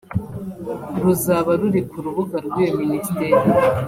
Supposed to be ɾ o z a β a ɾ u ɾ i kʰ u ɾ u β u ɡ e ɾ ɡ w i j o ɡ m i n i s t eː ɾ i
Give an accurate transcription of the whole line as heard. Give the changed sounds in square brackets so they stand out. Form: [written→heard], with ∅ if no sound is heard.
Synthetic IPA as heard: ɾ [o→u] z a β a ɾ u ɾ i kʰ u ɾ u β u ɡ [e→a] ɾ ɡ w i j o [ɡ→∅] m i n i s t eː ɾ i